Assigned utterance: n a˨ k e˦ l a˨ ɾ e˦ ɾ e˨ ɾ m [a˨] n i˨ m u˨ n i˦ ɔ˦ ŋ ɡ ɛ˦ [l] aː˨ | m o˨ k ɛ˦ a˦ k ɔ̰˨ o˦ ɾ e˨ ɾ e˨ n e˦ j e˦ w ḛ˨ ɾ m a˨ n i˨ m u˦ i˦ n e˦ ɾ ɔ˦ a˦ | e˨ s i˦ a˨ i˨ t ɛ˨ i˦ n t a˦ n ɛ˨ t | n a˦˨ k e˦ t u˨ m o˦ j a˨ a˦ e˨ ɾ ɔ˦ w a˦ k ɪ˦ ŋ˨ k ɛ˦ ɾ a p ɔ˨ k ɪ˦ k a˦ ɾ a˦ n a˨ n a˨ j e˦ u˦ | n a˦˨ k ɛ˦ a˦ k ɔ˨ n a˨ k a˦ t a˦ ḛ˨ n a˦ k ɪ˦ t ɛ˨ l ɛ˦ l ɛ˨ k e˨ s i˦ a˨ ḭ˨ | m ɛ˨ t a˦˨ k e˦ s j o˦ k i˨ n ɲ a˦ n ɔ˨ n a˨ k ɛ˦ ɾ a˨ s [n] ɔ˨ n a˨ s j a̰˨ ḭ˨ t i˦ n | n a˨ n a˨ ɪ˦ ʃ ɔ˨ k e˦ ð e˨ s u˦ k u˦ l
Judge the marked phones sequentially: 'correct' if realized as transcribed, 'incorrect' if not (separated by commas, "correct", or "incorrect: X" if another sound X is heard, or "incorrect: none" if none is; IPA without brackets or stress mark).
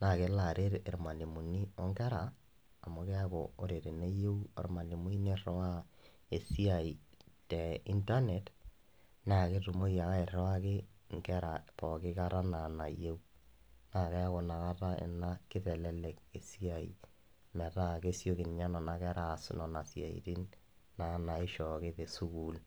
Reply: correct, incorrect: ɾ, correct